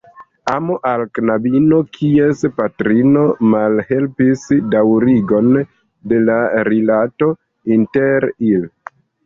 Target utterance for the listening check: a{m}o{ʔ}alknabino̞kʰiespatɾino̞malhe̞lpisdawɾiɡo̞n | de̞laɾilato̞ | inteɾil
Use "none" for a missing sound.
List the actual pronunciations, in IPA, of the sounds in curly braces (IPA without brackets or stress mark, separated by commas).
m, ʔ